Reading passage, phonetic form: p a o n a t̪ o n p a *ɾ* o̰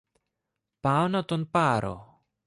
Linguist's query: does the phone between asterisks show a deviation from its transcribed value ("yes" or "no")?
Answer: no